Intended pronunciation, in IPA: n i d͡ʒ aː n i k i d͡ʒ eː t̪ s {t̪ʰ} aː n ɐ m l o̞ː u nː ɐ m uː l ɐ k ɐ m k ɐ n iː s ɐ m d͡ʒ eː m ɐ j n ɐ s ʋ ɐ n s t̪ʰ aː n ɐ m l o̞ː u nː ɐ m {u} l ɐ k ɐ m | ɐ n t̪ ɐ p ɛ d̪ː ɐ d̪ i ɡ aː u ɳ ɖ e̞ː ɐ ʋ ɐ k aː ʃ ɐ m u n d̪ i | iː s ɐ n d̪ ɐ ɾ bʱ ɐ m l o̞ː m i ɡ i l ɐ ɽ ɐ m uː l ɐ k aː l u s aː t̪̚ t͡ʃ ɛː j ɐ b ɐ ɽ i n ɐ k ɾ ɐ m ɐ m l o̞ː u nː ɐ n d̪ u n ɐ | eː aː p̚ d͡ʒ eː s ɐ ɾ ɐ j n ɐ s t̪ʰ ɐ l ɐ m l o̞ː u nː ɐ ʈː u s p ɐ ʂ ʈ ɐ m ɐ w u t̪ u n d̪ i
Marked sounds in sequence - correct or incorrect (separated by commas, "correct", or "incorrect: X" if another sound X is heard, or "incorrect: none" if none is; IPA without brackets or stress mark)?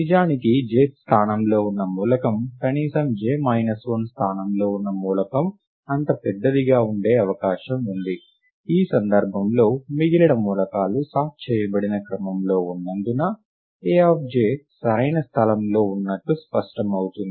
correct, incorrect: uː